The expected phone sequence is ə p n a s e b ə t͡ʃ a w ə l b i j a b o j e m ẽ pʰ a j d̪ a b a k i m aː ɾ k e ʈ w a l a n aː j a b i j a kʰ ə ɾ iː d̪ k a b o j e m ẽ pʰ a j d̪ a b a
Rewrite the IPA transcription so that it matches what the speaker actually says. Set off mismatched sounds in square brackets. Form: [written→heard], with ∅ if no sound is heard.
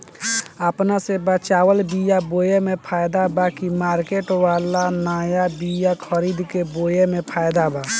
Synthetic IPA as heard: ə p n a s e b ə t͡ʃ a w ə l b i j a b o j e m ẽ pʰ a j d̪ a b a k i m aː ɾ k e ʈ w a l a n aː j a b i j a kʰ ə ɾ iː d̪ k [a→e] b o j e m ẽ pʰ a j d̪ a b a